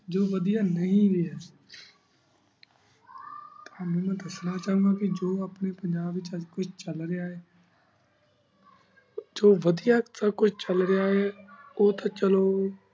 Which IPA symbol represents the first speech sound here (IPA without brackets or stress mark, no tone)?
d͡ʒ